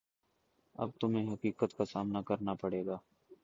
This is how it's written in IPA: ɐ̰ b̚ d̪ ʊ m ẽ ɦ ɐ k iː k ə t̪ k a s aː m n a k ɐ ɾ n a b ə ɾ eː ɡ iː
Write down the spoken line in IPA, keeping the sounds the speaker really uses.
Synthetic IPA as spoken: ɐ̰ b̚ t̪ ʊ m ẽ ɦ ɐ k iː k ə t̪ k a s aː m n a k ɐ ɾ n a p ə ɽ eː ɡ aː